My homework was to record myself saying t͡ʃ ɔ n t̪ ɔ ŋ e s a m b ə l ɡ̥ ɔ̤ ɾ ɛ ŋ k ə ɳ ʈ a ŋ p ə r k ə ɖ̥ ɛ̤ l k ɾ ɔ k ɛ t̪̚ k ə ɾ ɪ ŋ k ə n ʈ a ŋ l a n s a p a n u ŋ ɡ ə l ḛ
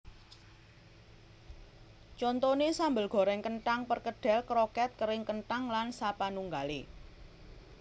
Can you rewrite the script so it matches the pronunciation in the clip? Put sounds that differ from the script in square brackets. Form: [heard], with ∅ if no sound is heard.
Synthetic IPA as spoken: t͡ʃ ɔ n t̪ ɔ [n] e s a m b ə l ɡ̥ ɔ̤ ɾ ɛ ŋ k ə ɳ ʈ a ŋ p ə r k ə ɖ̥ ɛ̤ l k ɾ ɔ k ɛ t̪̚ k ə ɾ ɪ ŋ k ə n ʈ a ŋ l a n s a p a n u ŋ ɡ [a] l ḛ